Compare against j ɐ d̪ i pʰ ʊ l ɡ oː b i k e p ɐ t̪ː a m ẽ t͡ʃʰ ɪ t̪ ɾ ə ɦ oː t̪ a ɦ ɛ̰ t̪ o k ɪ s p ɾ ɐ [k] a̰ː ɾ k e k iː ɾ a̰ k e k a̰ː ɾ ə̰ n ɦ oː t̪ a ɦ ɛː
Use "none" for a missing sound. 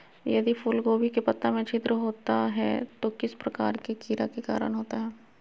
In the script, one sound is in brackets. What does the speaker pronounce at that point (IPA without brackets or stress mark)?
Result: k